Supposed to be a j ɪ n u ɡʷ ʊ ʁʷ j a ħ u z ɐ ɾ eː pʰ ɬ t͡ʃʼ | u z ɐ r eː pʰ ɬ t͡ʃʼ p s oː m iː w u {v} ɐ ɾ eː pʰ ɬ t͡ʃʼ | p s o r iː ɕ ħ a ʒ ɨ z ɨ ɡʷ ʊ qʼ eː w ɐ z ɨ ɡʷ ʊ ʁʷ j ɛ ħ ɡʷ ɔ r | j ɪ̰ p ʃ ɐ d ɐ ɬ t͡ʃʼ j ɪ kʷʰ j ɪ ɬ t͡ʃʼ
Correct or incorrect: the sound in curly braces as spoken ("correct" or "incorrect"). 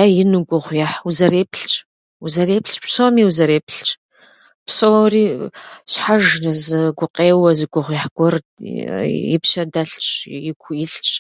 incorrect